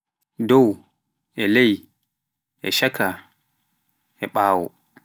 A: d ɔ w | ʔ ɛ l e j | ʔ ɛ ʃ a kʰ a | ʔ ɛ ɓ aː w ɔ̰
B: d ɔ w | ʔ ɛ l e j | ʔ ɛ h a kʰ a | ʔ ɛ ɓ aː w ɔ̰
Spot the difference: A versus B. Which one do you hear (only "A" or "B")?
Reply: A